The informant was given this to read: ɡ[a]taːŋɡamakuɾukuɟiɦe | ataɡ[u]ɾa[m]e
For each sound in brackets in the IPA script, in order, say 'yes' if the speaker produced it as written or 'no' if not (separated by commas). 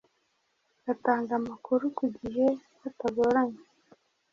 yes, no, no